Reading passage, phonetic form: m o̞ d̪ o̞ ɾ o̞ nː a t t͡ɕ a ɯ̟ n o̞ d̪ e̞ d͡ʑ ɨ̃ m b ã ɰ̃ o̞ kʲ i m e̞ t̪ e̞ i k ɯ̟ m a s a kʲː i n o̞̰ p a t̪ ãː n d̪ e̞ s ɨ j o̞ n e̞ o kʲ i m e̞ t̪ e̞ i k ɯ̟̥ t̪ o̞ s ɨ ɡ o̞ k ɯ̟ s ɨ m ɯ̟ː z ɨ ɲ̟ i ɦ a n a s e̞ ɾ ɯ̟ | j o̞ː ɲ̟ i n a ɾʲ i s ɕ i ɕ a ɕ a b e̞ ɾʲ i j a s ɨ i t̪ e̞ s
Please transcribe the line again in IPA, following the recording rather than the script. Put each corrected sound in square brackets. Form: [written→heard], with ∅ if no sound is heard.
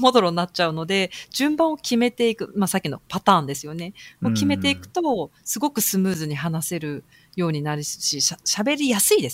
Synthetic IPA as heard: m o̞ d̪ o̞ ɾ o̞ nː a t t͡ɕ a ɯ̟ n o̞ d̪ e̞ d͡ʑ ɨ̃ m b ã ɰ̃ o̞ kʲ i m e̞ t̪ e̞ i k ɯ̟ m a s a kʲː i n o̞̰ p a t̪ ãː n d̪ e̞ s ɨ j o̞ n e̞ o kʲ i m e̞ t̪ e̞ i k ɯ̟̥ t̪ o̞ s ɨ ɡ o̞ k ɯ̟ s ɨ m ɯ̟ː z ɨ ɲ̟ i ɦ a n a s e̞ ɾ ɯ̟ | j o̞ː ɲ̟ i n a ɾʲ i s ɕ i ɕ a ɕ a b e̞ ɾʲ i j a s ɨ i [t̪→d̪] e̞ s